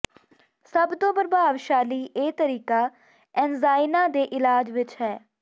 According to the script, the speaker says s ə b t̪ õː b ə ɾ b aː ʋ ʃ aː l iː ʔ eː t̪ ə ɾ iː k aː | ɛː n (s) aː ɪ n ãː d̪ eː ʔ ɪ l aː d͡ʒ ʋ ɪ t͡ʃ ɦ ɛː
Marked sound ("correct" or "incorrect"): incorrect